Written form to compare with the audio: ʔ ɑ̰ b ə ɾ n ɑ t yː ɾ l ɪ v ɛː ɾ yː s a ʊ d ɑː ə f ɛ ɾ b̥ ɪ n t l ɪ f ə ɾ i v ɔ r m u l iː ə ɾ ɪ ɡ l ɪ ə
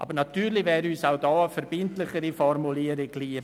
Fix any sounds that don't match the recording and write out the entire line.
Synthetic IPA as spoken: ʔ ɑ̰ b ə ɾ n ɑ t yː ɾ l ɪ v ɛː ɾ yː s a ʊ d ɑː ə f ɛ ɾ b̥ ɪ n t l ɪ χ ə ɾ i f ɔ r m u l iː ə ɾ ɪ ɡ l i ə